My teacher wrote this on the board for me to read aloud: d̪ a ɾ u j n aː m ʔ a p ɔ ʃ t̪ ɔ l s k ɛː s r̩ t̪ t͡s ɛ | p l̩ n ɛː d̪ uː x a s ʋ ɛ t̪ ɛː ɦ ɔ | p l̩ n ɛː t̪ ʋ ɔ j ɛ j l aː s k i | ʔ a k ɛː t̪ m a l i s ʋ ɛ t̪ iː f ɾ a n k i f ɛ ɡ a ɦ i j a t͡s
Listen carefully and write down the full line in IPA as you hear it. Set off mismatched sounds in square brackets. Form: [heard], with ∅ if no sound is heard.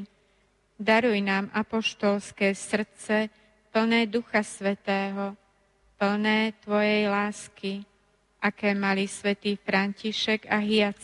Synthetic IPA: d̪ a ɾ u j n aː m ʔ a p ɔ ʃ t̪ ɔ l s k ɛː s r̩ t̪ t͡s ɛ | p l̩ n ɛː d̪ [u] x a s ʋ ɛ t̪ ɛː ɦ ɔ | p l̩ n ɛː t̪ ʋ ɔ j ɛ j l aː s k i | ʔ a k ɛː [∅] m a l i s ʋ ɛ t̪ iː f ɾ a n [c] i [ʃ] ɛ ɡ a ɦ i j a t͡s